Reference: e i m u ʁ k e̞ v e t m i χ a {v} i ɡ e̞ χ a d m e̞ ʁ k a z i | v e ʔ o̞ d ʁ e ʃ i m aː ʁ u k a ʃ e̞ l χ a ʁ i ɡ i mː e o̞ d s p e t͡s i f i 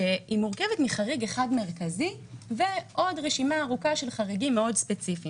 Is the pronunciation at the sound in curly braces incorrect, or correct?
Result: incorrect